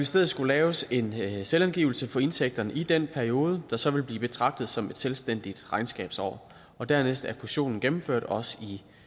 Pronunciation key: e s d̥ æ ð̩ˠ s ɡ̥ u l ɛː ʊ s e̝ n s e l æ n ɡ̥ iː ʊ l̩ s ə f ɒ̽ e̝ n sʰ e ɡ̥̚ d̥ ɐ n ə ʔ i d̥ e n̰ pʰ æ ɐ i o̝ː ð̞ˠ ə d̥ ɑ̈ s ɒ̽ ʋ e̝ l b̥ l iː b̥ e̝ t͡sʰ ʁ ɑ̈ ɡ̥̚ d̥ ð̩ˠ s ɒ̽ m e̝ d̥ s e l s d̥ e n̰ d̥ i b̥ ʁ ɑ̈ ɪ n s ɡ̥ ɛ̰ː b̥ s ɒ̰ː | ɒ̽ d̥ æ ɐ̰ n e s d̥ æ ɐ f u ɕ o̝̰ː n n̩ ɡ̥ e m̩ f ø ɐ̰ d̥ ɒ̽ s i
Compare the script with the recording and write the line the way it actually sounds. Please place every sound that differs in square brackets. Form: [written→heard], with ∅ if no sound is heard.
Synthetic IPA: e s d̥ [æ→e] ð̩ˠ s ɡ̥ u l ɛː ʊ s e̝ n s e l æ n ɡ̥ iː ʊ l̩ s ə f ɒ̽ e̝ n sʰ e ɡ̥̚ d̥ ɐ n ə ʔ i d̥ e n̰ pʰ æ ɐ i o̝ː ð̞ˠ ə d̥ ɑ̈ s ɒ̽ ʋ e̝ l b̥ l iː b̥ e̝ t͡sʰ ʁ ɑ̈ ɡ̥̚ d̥ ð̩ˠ s ɒ̽ m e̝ d̥ s e l s d̥ e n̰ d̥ i [b̥→d̥] ʁ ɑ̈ ɪ n s ɡ̥ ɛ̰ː b̥ s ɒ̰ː | ɒ̽ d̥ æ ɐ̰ n e s d̥ æ ɐ f u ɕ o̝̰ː n n̩ ɡ̥ e m̩ f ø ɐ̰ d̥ ɒ̽ s i

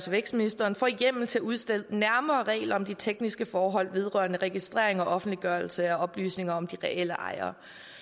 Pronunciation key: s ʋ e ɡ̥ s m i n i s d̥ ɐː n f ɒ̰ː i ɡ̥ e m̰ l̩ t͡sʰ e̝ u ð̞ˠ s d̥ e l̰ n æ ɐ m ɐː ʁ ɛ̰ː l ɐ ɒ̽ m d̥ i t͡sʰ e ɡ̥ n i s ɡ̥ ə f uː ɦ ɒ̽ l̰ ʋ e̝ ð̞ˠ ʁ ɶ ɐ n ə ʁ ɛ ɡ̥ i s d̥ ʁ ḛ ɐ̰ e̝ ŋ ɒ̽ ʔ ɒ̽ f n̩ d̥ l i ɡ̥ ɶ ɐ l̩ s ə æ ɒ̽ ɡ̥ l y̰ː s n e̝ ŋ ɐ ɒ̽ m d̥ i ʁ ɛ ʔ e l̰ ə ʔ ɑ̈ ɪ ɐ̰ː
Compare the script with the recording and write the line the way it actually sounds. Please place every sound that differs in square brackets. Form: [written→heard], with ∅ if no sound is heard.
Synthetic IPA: s ʋ e ɡ̥ s m i n i s d̥ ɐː n f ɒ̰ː i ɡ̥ e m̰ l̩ t͡sʰ e̝ u ð̞ˠ s d̥ e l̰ n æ ɐ m ɐː ʁ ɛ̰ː l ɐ ɒ̽ m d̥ i t͡sʰ e ɡ̥ n i s ɡ̥ ə f [uː→ɒː] ɦ ɒ̽ l̰ ʋ e̝ ð̞ˠ ʁ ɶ ɐ n ə ʁ ɛ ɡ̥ i s d̥ ʁ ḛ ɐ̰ e̝ ŋ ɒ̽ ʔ ɒ̽ f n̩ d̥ l i ɡ̥ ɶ ɐ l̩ s ə æ ɒ̽ [ɡ̥→b̥] l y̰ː s n e̝ ŋ ɐ ɒ̽ m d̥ i ʁ ɛ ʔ e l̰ ə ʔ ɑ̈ ɪ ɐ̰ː

